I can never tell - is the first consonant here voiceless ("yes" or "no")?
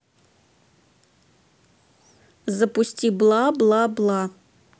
no